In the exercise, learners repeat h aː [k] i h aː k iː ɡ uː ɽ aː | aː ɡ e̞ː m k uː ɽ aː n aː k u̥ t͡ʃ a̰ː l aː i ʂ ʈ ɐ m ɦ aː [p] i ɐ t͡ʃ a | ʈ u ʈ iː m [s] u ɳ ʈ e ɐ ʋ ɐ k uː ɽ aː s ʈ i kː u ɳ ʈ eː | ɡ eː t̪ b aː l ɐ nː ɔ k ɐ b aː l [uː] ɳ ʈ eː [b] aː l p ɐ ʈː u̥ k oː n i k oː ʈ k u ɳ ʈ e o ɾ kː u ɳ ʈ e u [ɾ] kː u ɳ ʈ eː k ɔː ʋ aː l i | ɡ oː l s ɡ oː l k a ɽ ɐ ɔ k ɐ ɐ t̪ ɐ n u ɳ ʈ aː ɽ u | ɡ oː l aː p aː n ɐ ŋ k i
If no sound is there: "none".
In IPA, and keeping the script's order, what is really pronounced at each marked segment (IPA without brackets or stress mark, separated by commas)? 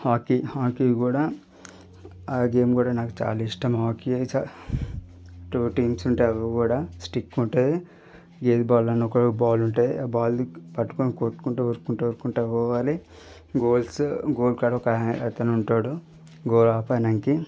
k, k, s, u, b, ɾ